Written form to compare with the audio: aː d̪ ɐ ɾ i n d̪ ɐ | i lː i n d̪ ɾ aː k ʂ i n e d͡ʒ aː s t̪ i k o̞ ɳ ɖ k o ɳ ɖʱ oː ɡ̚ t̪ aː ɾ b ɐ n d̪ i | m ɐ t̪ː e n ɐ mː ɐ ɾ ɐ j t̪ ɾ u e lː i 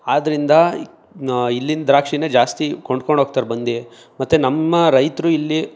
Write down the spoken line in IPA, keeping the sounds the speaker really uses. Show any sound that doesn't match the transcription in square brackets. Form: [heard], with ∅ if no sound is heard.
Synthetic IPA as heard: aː d̪ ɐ ɾ i n d̪ ɐ | i lː i n d̪ ɾ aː k ʂ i n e d͡ʒ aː s t̪ i k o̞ ɳ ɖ k o ɳ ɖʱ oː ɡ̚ t̪ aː ɾ b ɐ n d̪ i | m ɐ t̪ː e n ɐ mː ɐ ɾ ɐ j t̪ ɾ u [i] lː i